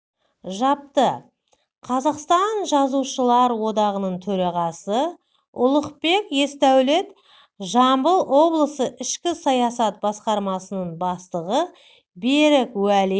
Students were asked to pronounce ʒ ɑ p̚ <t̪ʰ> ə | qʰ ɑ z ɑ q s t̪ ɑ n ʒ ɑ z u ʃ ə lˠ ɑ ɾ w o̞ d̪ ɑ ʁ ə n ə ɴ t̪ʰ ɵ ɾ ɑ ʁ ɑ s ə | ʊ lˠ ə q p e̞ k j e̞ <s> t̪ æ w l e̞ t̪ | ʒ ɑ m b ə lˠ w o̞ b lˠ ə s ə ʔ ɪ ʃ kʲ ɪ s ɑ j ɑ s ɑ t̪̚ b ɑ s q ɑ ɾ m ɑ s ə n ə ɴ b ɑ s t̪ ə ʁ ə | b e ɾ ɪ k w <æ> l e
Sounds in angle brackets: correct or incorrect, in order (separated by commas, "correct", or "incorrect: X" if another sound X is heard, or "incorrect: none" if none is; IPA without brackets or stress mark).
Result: incorrect: t̪, correct, correct